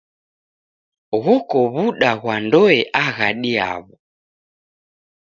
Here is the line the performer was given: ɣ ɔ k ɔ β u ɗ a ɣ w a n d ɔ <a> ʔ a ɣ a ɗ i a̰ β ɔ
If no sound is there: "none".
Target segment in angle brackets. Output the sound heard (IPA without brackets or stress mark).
ɛ